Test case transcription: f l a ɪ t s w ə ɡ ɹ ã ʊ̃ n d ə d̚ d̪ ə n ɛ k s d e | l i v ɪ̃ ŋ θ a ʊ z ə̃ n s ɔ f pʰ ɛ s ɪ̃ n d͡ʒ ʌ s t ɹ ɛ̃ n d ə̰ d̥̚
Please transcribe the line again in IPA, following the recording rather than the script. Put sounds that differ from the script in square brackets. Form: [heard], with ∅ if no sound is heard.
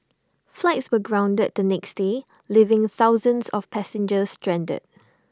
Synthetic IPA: f l a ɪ t s w ə ɡ ɹ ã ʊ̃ n d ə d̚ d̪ ə n ɛ k s d e | l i v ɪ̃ ŋ θ a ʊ z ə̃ n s ɔ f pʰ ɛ s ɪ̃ n d͡ʒ [ə] s t ɹ ɛ̃ n d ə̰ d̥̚